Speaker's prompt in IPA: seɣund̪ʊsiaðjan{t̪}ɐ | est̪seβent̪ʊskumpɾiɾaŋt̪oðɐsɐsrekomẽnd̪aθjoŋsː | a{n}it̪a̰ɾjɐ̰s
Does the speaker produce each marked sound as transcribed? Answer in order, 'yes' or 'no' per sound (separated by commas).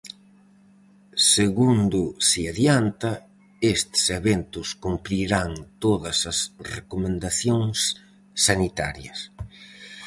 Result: yes, yes